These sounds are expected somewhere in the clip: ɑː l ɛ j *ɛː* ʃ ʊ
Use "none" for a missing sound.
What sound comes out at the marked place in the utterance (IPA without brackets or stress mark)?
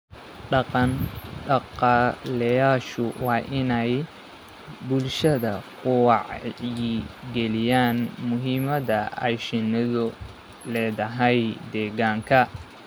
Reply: aː